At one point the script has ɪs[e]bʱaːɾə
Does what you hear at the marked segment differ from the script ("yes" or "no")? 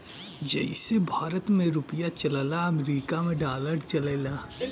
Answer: no